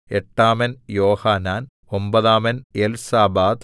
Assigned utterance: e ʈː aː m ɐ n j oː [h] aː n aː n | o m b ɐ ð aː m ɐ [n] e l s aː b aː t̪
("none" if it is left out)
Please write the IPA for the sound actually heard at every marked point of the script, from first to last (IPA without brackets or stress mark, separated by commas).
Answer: h, n